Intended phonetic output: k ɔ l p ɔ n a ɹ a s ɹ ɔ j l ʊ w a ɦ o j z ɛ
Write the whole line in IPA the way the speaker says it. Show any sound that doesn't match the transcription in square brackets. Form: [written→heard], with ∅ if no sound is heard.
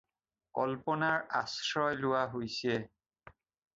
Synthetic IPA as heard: k ɔ l p ɔ n a ɹ a s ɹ ɔ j l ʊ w a ɦ o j [z→s] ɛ